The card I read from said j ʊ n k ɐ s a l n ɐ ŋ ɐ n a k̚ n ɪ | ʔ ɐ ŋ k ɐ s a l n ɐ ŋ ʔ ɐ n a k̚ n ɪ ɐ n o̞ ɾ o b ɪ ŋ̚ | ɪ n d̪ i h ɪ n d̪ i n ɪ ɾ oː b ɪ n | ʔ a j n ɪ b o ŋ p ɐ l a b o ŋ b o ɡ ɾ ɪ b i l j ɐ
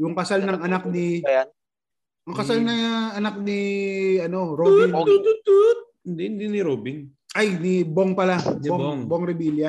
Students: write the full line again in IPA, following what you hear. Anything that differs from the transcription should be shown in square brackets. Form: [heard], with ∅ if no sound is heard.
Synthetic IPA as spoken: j ʊ [ŋ] k ɐ s a l n ɐ ŋ ɐ n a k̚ n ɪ | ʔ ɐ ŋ k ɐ s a l n ɐ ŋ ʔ ɐ n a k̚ n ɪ ɐ n o̞ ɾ o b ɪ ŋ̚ | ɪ n d̪ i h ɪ n d̪ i n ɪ ɾ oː b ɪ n | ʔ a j n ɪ b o ŋ p ɐ l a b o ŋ b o [ŋ] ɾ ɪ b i l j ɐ